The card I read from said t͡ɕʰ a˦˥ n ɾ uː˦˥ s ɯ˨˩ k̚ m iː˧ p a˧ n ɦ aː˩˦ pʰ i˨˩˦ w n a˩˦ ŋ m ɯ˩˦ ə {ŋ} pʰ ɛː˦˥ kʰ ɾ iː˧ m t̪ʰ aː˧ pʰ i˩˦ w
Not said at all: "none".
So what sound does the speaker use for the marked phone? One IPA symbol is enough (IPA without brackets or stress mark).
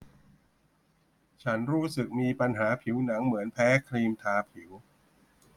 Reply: n